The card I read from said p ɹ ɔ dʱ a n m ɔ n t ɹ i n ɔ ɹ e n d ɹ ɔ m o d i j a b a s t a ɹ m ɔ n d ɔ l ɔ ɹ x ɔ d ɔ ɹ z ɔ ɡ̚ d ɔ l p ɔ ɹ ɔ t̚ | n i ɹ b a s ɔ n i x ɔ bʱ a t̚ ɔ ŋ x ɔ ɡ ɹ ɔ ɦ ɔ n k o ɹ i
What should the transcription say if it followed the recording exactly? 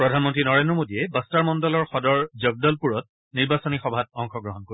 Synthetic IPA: p ɹ ɔ dʱ a n m ɔ n t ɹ i n ɔ ɹ e n d ɹ ɔ m o d i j ɛ b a s t a ɹ m ɔ n d ɔ l ɔ ɹ x ɔ d ɔ ɹ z ɔ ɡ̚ d ɔ l p u ɹ ɔ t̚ | n i ɹ b a s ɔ n i x ɔ bʱ a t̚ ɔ ŋ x ɔ ɡ ɹ ɔ ɦ ɔ n k o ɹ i